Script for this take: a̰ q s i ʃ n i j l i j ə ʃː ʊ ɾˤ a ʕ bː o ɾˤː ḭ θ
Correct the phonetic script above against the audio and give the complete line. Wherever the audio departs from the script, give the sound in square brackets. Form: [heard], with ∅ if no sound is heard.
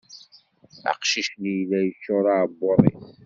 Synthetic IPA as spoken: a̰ q [ʃ] i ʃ n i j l [æ] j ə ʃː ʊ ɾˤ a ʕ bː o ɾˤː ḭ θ